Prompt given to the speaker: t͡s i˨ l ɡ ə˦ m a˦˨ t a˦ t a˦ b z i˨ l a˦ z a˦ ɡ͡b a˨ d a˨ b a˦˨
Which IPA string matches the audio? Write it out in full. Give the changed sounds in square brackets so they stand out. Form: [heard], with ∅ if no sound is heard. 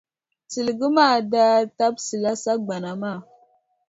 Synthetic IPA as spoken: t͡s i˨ l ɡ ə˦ m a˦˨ [d] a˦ t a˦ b [s] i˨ l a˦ [s] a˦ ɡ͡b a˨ [n] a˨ [m] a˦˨

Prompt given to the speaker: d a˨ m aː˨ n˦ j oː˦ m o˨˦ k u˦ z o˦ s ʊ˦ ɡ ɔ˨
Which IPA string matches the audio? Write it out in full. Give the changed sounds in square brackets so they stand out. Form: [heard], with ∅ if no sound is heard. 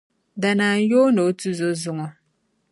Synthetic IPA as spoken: d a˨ [n] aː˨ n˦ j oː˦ [n] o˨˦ [t] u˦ z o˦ [z] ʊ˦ [ŋ] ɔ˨

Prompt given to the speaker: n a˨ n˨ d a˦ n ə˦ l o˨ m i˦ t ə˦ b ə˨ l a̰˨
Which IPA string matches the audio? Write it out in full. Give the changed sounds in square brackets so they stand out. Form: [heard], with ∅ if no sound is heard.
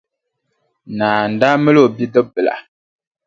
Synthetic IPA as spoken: n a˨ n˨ d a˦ [m] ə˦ l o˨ [b] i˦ [d] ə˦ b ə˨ l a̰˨

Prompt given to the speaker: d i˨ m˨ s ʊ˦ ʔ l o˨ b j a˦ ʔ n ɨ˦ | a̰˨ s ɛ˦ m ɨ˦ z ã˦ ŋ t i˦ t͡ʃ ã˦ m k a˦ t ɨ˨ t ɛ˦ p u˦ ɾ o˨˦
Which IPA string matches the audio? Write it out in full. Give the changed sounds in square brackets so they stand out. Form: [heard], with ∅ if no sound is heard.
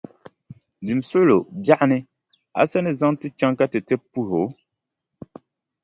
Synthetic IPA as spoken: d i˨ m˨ s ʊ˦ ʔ l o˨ b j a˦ ʔ n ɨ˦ | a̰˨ s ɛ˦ [n] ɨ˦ z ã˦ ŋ t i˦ t͡ʃ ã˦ [ŋ] k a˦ t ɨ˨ t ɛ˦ p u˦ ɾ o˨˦

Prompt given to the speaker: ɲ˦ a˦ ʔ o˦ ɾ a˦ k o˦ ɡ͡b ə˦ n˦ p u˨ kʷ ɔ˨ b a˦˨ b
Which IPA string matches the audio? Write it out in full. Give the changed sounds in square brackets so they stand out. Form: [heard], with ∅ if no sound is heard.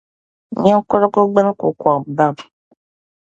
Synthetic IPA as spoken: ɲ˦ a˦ [k] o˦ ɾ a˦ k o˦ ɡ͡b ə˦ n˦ [k] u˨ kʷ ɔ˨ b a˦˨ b

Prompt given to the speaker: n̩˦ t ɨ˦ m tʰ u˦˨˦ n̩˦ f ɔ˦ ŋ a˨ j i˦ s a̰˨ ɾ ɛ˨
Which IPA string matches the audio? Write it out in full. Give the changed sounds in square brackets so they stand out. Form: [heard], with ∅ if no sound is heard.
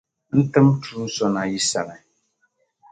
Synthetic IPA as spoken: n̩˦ t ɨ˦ m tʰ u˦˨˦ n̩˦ [s] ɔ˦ [n] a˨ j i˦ s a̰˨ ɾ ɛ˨

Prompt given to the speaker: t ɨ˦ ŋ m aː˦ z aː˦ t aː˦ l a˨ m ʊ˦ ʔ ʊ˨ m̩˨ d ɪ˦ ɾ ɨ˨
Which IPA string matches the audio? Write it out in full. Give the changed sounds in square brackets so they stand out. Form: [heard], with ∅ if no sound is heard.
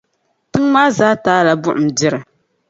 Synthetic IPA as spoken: t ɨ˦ ŋ m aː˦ z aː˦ t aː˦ l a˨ [b] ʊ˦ ʔ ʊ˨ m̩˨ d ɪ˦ ɾ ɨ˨

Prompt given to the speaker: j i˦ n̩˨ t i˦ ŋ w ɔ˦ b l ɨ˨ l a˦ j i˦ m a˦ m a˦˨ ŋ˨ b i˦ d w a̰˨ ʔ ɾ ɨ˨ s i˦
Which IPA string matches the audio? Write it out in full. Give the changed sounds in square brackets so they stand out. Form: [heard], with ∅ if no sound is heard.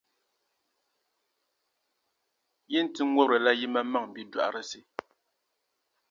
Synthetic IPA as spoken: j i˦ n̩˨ t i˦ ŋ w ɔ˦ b [ɾ] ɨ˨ l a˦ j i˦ m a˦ m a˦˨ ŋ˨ b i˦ d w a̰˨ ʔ ɾ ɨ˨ s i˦

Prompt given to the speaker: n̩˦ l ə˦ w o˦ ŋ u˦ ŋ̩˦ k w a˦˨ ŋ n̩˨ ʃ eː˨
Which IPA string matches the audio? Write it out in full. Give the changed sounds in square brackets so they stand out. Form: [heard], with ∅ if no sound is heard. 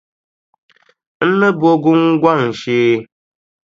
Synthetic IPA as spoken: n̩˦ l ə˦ [b] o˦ [ɡ] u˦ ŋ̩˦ [ɡ] w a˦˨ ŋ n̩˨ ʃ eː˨

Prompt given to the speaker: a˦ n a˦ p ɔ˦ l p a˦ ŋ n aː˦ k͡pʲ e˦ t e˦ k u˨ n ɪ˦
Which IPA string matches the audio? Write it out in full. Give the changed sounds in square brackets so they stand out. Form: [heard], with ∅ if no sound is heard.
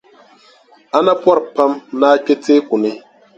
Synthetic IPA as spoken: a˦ n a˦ p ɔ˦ [ɾ] p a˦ [m] n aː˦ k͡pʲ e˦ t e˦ k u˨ n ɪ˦

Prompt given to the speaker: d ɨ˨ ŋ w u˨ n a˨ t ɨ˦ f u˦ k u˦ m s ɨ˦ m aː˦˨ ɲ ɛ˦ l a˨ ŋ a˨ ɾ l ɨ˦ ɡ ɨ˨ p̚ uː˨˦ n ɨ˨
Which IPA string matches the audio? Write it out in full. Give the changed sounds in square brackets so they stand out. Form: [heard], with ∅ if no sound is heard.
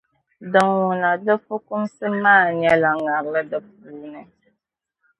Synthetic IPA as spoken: d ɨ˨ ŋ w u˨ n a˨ [d] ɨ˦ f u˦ k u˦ m s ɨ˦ m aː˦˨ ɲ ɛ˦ l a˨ ŋ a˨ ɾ l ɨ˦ [d] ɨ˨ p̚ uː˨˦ n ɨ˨

